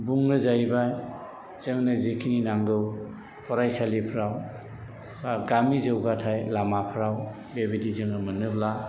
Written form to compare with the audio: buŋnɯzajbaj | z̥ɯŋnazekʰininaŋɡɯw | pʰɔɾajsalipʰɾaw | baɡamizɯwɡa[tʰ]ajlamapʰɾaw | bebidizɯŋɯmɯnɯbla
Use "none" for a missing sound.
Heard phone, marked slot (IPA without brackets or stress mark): tʰ